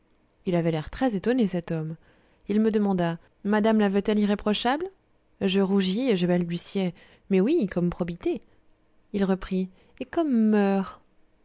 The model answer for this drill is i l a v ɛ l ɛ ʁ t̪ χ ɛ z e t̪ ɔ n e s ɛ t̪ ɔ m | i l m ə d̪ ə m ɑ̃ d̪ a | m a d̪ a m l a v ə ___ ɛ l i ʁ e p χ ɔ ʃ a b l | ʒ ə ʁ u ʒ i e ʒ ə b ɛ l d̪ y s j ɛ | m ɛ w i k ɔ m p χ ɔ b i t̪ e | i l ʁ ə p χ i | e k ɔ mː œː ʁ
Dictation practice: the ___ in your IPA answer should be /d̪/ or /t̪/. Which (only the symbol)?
t̪